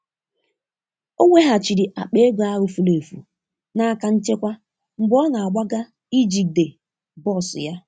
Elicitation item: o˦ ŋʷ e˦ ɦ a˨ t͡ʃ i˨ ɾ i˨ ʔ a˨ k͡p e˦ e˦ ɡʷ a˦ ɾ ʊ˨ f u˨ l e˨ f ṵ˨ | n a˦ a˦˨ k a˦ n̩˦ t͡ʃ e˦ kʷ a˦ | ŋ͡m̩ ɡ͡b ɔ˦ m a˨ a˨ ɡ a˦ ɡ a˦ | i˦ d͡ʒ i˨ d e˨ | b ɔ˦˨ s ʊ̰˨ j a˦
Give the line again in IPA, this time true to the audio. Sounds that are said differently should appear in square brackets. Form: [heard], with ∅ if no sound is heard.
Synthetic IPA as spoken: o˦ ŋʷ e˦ ɦ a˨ t͡ʃ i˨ ɾ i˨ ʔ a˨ k͡p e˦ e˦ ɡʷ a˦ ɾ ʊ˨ f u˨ l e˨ f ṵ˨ | n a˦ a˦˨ k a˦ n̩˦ t͡ʃ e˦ kʷ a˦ | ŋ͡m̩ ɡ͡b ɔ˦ [n] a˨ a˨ [ɡ͡b] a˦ ɡ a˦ | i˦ d͡ʒ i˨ d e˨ | b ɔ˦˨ s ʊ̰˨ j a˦